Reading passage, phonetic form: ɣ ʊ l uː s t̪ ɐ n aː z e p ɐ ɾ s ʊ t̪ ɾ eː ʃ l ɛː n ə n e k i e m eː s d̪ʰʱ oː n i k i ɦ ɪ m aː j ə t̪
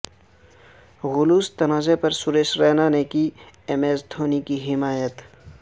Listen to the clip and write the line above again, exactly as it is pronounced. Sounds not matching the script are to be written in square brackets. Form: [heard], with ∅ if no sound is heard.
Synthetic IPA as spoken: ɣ ʊ l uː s t̪ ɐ n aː z e p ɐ ɾ s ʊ [∅] ɾ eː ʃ [ɾ] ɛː n [a] n e k i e m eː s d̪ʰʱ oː n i k i ɦ ɪ m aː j ə t̪